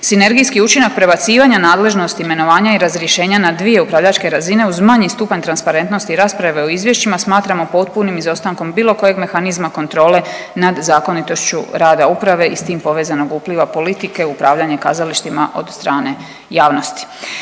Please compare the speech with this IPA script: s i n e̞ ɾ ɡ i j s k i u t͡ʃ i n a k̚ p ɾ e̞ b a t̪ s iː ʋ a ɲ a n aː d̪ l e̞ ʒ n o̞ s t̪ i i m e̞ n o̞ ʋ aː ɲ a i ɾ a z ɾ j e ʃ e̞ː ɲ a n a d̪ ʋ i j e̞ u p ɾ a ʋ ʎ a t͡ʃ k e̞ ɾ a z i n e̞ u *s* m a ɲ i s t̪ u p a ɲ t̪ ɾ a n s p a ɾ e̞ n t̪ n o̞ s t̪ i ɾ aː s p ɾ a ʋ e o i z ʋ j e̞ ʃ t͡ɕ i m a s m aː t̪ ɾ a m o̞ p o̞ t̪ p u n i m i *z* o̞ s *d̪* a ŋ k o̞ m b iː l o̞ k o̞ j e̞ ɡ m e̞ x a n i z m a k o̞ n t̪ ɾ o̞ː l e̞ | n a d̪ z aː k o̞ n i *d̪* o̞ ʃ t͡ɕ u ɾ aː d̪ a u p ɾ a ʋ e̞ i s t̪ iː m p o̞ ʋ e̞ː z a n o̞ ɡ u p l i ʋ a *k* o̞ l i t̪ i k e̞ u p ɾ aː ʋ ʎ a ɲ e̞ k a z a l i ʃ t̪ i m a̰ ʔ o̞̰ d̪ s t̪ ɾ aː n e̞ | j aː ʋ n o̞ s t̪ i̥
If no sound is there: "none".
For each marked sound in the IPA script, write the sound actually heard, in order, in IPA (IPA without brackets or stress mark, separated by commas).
z, z, t̪, t̪, p